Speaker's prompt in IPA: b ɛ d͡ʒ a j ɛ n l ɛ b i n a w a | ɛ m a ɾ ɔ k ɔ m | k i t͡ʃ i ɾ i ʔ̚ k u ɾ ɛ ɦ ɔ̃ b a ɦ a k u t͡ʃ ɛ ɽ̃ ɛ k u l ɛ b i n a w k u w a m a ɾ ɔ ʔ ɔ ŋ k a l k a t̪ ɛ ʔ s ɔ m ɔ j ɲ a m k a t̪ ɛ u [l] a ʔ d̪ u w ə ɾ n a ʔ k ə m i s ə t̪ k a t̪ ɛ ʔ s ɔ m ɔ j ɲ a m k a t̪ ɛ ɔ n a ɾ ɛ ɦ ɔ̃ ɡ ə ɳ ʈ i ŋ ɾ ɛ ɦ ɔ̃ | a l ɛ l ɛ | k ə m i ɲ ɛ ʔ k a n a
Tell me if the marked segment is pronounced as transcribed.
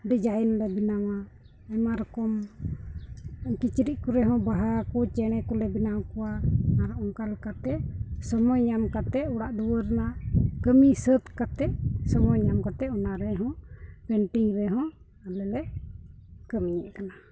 no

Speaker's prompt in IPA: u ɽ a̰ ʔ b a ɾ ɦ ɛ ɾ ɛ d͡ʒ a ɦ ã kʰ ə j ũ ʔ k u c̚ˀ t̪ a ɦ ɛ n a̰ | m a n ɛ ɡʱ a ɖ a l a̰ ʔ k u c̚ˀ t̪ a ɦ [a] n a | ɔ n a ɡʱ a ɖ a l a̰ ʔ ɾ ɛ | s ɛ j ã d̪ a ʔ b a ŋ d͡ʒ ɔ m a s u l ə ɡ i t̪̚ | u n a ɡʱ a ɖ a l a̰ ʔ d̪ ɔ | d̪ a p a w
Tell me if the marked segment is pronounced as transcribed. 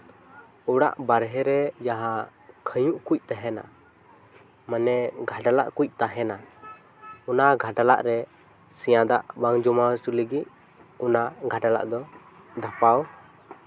no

